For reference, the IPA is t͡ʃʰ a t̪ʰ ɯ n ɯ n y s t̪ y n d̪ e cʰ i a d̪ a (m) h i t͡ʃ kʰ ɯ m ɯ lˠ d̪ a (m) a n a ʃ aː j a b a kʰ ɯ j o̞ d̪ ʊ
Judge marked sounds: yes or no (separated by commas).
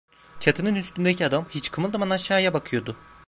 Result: yes, yes